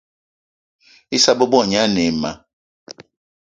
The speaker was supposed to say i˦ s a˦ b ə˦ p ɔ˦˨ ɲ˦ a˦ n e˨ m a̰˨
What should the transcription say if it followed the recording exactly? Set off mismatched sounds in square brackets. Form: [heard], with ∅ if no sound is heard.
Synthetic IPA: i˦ s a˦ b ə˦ [b] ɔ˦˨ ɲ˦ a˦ n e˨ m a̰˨